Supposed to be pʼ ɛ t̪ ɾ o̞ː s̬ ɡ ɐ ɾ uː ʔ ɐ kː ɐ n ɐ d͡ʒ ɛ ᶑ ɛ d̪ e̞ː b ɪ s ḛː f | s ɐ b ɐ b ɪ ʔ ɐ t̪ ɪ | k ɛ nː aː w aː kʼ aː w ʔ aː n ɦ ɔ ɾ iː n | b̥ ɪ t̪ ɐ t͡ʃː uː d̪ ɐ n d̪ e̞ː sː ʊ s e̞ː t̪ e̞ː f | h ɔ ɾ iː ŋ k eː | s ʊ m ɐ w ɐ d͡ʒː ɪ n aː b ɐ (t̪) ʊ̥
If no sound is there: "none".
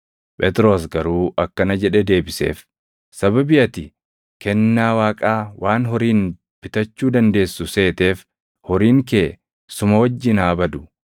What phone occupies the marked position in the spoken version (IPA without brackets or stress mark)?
d̪